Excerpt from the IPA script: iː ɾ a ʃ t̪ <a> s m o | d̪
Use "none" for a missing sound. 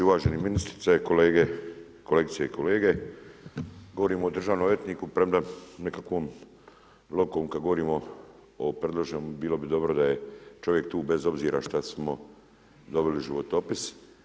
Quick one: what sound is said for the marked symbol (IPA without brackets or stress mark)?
a